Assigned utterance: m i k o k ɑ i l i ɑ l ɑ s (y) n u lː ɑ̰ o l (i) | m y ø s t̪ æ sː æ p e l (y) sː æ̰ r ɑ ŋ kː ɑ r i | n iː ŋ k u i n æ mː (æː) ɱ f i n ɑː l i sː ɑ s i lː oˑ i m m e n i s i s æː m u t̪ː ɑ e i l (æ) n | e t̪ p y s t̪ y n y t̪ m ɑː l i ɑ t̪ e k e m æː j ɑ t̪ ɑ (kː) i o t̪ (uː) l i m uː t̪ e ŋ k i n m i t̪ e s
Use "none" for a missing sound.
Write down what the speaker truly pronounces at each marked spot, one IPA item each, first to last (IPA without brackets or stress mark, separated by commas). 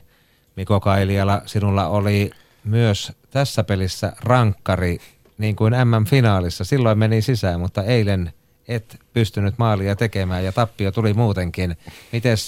i, i, i, æ, e, pː, u